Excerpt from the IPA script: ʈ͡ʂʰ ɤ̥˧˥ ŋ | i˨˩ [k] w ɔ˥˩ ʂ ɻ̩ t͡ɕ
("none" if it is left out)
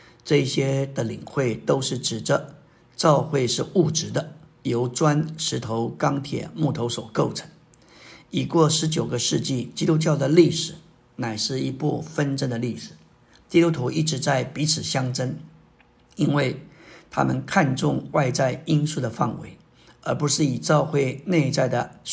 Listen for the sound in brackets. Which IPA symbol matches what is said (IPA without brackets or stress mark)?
k